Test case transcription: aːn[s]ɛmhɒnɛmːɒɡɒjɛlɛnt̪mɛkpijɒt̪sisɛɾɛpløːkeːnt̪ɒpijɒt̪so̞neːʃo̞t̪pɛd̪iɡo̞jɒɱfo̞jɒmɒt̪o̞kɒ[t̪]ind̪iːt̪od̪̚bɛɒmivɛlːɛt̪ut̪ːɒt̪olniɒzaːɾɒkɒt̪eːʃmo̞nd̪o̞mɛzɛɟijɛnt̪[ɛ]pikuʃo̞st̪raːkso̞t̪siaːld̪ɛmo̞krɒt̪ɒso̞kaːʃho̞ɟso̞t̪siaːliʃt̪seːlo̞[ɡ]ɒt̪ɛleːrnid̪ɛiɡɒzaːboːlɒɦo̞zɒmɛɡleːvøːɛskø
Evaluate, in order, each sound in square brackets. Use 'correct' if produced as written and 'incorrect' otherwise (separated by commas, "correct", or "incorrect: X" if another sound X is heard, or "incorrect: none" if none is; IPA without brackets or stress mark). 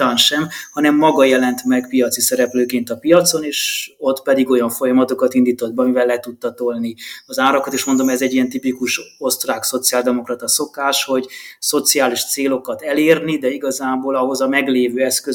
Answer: incorrect: ʃ, correct, incorrect: i, incorrect: k